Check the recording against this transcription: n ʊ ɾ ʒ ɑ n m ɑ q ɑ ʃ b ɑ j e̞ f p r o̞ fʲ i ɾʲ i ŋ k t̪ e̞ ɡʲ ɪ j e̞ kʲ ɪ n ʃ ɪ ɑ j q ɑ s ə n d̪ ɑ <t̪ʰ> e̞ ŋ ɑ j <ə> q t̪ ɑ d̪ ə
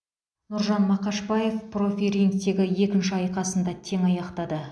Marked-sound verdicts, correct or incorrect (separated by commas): correct, incorrect